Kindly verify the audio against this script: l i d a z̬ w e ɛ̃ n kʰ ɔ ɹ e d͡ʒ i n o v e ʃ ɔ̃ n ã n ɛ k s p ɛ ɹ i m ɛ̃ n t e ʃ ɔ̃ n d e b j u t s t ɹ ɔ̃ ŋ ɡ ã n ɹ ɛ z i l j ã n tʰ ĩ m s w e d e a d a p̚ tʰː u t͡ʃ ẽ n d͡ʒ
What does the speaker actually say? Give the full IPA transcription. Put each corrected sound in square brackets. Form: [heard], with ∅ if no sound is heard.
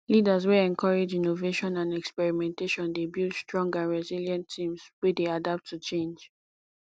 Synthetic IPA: l i d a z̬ w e ɛ̃ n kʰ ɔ ɹ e d͡ʒ i n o v e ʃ ɔ̃ n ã n ɛ k s p ɛ ɹ i m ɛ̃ n t e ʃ ɔ̃ n d e b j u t s t ɹ ɔ̃ ŋ ɡ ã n ɹ ɛ z i l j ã n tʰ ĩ m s w e d e a d a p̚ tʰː u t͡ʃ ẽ n d͡ʒ